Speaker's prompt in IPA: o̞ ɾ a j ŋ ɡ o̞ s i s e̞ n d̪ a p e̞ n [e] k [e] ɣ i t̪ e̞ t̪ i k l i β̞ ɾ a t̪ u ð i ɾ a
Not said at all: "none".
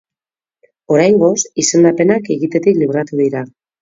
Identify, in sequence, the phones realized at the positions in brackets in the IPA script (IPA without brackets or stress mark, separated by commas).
a, e